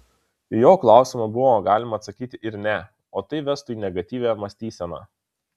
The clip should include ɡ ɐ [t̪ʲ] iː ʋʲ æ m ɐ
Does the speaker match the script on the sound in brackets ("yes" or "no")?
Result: yes